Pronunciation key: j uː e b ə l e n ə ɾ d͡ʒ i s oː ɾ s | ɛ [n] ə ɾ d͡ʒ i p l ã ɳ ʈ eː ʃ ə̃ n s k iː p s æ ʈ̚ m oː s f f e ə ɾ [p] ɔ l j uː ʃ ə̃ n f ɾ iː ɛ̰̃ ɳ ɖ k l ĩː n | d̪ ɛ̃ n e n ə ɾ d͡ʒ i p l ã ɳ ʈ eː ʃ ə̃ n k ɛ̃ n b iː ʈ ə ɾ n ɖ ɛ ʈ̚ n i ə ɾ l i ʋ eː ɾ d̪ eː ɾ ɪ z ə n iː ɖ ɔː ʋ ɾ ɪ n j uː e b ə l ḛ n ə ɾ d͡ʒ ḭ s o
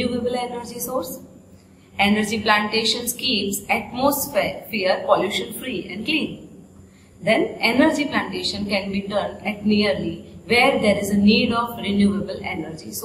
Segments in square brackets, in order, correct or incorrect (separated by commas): correct, correct